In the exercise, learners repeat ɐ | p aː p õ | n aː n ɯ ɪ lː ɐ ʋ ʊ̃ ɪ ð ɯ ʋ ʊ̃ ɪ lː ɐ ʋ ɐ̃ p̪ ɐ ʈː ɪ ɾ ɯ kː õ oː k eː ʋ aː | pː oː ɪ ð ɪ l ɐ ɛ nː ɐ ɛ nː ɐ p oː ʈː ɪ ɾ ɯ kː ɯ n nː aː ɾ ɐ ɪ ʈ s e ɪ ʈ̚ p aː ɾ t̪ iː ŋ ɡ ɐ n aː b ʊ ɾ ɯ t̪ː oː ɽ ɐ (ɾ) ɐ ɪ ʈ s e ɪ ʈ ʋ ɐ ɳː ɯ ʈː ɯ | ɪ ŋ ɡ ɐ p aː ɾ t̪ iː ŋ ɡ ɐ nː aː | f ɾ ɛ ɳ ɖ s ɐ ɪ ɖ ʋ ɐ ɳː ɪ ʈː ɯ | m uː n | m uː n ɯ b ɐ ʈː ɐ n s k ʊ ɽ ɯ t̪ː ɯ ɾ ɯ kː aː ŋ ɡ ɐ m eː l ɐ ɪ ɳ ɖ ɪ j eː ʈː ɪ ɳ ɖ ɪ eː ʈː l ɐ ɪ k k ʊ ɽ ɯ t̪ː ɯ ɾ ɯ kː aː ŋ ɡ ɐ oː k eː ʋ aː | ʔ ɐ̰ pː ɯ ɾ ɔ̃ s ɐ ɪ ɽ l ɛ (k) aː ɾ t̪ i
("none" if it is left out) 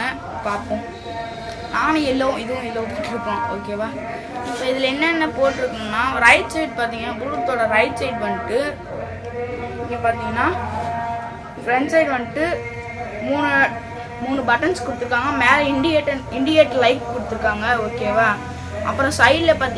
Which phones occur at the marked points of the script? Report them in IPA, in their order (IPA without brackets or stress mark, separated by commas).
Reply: ɾ, p